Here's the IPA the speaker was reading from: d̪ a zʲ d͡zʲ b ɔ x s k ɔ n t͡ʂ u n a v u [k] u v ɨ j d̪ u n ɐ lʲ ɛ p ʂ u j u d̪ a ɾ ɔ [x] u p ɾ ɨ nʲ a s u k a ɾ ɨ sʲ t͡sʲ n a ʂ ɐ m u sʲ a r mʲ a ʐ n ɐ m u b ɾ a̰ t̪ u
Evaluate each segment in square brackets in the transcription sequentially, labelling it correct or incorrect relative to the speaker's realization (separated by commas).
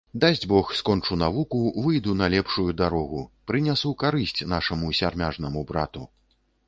correct, incorrect